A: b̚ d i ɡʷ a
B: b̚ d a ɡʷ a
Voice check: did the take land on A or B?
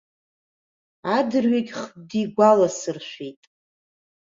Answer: A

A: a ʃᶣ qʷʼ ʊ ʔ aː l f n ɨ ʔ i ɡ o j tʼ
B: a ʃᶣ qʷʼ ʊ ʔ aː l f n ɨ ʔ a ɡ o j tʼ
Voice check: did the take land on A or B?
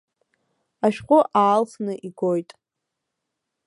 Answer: A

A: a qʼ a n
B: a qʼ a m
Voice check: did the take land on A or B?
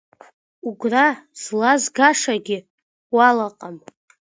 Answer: B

